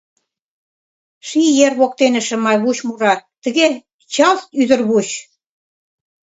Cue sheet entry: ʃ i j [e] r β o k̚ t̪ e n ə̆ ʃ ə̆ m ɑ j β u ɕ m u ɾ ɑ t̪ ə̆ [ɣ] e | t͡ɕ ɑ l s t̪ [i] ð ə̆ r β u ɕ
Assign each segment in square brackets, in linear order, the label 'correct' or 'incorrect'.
correct, correct, incorrect: y

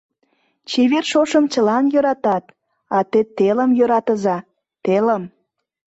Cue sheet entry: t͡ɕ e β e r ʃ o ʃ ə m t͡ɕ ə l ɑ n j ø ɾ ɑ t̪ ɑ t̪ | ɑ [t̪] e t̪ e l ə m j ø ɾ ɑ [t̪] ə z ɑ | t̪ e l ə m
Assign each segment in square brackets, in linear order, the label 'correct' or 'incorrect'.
correct, correct

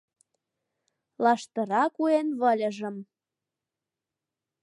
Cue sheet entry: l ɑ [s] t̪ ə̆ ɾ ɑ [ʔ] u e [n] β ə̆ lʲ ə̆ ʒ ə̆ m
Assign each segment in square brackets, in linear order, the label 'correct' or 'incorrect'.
incorrect: ʃ, incorrect: k, correct

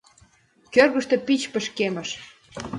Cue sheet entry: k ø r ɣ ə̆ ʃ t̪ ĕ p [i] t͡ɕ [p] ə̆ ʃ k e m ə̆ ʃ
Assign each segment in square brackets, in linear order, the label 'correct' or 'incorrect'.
correct, correct

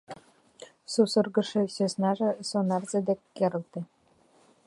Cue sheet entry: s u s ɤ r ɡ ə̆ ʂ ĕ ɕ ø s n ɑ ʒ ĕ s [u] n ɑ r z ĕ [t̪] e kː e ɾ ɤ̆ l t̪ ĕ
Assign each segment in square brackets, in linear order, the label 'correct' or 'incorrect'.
incorrect: o, incorrect: d̪

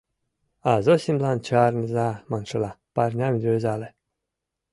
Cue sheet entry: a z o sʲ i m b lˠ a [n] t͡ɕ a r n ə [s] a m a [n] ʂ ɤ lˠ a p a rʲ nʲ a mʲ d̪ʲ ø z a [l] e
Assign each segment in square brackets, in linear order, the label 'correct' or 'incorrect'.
correct, incorrect: z, correct, correct

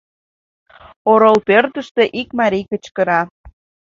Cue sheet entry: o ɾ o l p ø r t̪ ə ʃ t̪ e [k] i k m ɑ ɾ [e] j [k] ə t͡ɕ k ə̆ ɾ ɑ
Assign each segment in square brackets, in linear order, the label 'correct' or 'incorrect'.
incorrect: ʔ, incorrect: i, correct

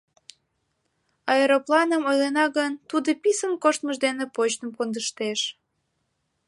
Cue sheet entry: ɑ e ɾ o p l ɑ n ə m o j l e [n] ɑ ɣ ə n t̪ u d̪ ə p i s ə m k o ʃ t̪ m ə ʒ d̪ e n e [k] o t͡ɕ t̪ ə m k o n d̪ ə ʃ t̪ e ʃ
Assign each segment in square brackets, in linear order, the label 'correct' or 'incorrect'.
correct, incorrect: p

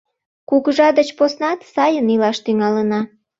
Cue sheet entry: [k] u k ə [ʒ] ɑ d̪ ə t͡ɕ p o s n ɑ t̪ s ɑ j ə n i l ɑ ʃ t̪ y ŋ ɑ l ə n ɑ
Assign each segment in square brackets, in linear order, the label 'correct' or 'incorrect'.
correct, correct

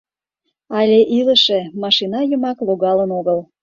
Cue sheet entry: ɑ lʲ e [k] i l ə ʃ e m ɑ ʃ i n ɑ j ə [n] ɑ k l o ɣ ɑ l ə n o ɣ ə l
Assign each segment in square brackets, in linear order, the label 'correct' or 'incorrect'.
incorrect: ʔ, incorrect: m

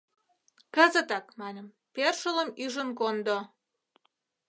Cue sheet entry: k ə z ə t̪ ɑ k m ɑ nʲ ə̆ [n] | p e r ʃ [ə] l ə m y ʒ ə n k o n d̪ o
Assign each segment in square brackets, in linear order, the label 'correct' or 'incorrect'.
incorrect: m, correct

